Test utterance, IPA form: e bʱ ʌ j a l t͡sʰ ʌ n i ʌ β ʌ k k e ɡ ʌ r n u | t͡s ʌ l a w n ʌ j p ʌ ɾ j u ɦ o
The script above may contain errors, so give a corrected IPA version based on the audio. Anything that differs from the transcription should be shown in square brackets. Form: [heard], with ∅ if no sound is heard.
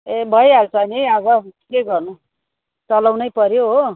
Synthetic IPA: e bʱ ʌ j a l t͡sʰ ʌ n i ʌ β ʌ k k e ɡ ʌ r n u | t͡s ʌ l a w n ʌ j p ʌ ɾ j [o] ɦ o

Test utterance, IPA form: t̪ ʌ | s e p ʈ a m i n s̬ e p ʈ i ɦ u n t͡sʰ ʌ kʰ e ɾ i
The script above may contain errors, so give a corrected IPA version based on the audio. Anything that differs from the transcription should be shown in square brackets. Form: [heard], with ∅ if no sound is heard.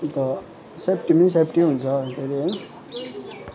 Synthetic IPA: t̪ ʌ | s e p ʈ [i] m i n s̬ e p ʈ i ɦ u n t͡sʰ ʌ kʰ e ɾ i

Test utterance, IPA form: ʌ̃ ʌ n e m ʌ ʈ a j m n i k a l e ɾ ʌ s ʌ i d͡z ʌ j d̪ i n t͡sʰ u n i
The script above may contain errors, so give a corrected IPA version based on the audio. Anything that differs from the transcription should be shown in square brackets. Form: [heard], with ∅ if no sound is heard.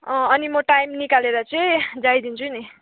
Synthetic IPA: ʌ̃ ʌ n [i] m ʌ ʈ a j m n i k a l e ɾ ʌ [t͡s] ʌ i d͡z [a] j d̪ i n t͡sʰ u n i

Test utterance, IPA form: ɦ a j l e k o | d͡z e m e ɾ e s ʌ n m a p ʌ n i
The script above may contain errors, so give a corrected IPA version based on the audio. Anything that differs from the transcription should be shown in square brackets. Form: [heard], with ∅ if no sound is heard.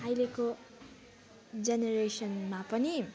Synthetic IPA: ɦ a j l e k o | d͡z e [n] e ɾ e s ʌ n m a p ʌ n i

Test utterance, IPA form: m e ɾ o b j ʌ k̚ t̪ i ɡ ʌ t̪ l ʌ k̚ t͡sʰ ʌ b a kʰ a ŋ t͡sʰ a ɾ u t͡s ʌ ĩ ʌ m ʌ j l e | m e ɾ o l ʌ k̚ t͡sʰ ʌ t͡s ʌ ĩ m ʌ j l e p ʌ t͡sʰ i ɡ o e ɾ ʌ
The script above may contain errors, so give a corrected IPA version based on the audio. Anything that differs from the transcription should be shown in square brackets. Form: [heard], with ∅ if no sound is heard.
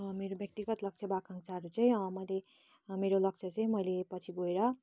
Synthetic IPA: m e ɾ o b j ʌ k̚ t̪ i ɡ ʌ t̪ l ʌ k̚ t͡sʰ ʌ b a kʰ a ŋ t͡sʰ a ɾ u t͡s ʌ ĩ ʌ m ʌ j l e | m e ɾ o l ʌ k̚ t͡sʰ ʌ t͡s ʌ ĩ m ʌ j l e p ʌ t͡sʰ i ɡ o e ɾ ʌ

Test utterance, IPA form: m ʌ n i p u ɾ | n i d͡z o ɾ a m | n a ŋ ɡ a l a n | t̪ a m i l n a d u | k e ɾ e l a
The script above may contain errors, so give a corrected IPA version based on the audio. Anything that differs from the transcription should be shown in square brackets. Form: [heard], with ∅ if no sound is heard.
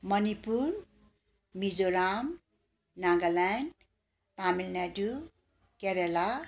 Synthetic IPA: m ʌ n i p u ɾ | [m] i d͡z o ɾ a m | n a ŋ ɡ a l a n | t̪ a m i l n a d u | k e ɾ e l a

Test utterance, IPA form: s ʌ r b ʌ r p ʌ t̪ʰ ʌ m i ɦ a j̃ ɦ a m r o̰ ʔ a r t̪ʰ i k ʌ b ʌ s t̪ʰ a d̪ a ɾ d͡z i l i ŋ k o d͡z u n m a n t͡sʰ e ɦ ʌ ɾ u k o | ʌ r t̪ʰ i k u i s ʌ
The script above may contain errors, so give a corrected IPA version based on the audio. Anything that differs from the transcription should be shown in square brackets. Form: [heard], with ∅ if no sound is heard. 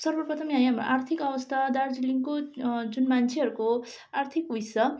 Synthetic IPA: s ʌ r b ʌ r p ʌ t̪ʰ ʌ m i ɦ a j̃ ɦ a m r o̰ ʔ a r t̪ʰ i k ʌ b ʌ s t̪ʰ a d̪ a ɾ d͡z i l i ŋ k o d͡z u n m a n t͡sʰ e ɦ ʌ ɾ u k o | [a] r t̪ʰ i k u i s ʌ

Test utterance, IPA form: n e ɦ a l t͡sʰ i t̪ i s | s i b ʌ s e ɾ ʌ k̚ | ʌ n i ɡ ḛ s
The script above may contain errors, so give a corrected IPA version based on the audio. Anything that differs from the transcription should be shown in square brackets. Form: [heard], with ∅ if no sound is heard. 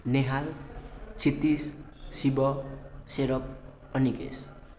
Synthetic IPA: n e ɦ a l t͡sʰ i t̪ i s | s i b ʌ s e ɾ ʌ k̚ | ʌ n i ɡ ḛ s

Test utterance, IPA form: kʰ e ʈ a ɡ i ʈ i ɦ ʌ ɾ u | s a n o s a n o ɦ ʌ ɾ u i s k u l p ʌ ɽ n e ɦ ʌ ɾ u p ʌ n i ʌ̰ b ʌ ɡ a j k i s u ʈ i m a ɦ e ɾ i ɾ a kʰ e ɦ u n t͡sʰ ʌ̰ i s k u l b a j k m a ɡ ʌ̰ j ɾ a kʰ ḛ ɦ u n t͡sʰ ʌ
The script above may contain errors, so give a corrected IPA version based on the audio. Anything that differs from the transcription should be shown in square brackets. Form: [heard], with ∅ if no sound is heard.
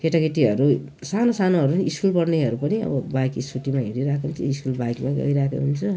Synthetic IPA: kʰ e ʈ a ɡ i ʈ i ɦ ʌ ɾ u | s a n o s a n o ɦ ʌ ɾ u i s k u l p ʌ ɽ n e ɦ ʌ ɾ u p ʌ n i ʌ̰ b ʌ [b] a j k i s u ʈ i m a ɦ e ɾ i ɾ a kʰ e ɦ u n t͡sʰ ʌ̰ i s k u l b a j k m a ɡ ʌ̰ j ɾ a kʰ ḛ ɦ u n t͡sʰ ʌ

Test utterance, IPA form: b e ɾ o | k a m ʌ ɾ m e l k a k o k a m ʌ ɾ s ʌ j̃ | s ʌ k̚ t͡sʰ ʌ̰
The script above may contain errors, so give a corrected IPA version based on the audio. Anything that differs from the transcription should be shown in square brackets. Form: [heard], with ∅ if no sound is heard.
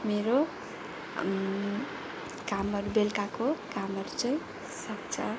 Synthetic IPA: [m] e ɾ o | k a m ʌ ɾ [b] e l k a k o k a m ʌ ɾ [t͡s] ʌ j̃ | s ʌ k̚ t͡sʰ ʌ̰

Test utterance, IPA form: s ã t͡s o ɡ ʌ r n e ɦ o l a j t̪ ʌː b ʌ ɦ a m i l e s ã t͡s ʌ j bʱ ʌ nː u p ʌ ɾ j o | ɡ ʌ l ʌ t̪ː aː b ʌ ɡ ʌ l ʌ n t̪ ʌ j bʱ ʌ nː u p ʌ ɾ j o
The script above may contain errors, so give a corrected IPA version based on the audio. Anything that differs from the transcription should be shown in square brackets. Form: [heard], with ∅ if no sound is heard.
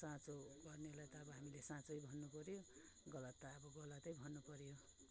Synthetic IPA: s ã t͡s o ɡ ʌ r n e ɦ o l a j t̪ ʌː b ʌ ɦ a m i l e s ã t͡s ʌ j bʱ ʌ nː u p ʌ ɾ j o | ɡ ʌ l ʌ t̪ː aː b ʌ ɡ ʌ l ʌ [∅] t̪ ʌ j bʱ ʌ nː u p ʌ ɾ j o

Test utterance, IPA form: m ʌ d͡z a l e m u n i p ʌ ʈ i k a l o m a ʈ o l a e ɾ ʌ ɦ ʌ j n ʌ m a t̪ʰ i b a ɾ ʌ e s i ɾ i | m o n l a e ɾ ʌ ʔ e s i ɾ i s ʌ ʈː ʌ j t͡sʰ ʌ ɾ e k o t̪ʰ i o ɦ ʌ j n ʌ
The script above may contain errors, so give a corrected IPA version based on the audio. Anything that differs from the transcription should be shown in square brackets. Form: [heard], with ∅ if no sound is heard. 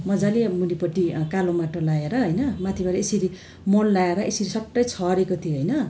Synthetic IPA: m ʌ d͡z a l e m u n i p ʌ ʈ i k a l o m a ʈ o l a e ɾ ʌ ɦ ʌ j n ʌ m a t̪ʰ i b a ɾ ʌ e s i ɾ i | m o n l a e ɾ ʌ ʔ e s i ɾ i s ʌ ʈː ʌ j t͡sʰ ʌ ɾ e k o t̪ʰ i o ɦ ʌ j n ʌ

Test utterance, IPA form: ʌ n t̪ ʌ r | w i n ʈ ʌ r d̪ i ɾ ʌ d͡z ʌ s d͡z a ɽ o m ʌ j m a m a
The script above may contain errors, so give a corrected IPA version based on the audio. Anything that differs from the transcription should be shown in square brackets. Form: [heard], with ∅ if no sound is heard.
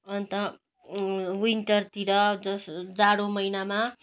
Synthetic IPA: ʌ n t̪ ʌ [∅] | w i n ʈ ʌ r [t̪] i ɾ ʌ d͡z ʌ s d͡z a ɽ o m ʌ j [n] a m a

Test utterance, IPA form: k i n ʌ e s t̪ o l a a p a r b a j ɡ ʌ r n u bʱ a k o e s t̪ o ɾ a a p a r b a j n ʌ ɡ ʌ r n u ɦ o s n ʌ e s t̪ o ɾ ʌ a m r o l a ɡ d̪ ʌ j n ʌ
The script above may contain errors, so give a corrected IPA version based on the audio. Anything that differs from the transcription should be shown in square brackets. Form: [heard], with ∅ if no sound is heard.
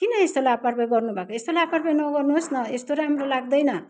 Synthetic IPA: k i n ʌ e s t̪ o l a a p a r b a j ɡ ʌ r n u bʱ a k o e s t̪ o [l] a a p a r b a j n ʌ ɡ ʌ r n u ɦ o s n ʌ e s t̪ o ɾ [a] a m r o l a ɡ d̪ ʌ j n ʌ

